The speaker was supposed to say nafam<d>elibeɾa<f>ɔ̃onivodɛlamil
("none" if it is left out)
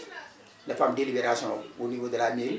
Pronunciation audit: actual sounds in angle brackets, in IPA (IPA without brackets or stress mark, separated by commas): d, s